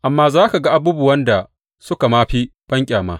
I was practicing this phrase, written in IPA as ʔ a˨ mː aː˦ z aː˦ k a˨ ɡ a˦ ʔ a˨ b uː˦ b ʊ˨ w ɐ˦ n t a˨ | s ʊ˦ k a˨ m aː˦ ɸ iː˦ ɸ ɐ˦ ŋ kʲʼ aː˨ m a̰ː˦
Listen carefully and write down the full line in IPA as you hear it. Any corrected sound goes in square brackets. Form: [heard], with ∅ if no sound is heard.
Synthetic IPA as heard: ʔ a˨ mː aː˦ z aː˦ k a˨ ɡ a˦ ʔ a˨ b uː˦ b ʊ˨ w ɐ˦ n [d] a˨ | s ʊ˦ k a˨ m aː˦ ɸ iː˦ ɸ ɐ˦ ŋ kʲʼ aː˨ m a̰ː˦